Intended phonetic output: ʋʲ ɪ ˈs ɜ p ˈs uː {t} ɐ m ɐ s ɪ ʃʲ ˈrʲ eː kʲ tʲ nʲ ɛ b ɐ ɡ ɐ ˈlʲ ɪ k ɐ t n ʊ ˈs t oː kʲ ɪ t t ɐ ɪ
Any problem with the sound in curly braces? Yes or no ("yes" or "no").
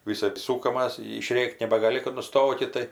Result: yes